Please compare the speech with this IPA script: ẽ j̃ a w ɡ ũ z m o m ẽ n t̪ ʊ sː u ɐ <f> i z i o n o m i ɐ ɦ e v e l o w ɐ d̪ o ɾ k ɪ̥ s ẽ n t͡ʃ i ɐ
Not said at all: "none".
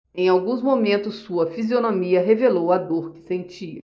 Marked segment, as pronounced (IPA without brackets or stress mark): f